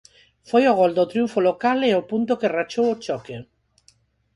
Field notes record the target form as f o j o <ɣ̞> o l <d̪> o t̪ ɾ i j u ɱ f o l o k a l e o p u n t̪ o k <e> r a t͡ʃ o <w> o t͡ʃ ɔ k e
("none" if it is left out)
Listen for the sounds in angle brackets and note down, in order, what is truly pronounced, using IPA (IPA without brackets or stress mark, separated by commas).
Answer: ɣ̞, d̪, e, w